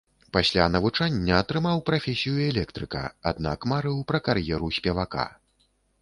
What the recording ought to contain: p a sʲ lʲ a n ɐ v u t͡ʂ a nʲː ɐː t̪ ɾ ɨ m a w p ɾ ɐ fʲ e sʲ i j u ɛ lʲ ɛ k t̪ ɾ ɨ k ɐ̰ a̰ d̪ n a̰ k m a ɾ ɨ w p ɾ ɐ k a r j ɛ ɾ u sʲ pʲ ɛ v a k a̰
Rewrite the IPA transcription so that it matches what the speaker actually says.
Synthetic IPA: p a sʲ lʲ a n ɐ v u t͡ʂ a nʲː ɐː t̪ ɾ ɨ m a w p ɾ a fʲ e sʲ i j u ɛ lʲ ɛ k t̪ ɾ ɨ k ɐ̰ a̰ d̪ n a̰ k m a ɾ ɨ w p ɾ ɐ k a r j ɛ ɾ u sʲ pʲ ɛ v a k a̰